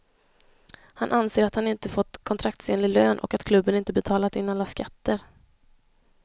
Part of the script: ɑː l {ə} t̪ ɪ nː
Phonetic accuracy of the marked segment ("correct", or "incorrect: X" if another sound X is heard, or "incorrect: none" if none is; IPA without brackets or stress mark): incorrect: a